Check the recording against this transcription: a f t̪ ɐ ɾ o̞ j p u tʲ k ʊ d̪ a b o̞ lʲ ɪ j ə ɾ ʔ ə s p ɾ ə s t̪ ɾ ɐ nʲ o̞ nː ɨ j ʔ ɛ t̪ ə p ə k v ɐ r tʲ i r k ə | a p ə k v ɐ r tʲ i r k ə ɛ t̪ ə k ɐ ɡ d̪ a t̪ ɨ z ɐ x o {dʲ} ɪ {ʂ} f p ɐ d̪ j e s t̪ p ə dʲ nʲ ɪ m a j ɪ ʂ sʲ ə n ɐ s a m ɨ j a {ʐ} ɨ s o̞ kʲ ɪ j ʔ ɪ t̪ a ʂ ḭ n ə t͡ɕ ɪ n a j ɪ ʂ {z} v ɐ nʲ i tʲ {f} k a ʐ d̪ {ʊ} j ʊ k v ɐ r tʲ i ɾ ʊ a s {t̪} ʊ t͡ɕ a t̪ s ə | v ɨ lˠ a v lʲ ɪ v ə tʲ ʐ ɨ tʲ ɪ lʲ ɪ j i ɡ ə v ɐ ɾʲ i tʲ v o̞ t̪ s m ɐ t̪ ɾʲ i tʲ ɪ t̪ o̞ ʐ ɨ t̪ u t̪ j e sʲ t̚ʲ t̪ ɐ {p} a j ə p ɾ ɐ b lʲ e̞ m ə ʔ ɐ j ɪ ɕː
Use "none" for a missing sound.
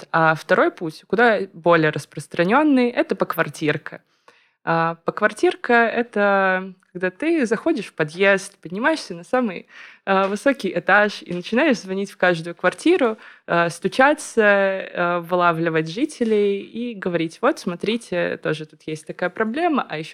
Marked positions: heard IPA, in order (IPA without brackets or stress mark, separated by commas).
dʲ, ʂ, v, z, f, ʊ, t̪, k